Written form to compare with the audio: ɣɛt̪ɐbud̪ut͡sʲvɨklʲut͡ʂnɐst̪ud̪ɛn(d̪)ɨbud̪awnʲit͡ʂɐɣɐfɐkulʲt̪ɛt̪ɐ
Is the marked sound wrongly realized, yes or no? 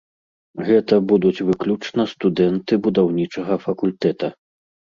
yes